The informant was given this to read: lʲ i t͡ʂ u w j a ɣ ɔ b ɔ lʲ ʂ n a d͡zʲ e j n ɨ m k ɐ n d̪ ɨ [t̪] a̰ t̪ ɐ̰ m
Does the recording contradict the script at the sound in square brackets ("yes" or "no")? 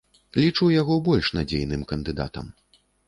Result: yes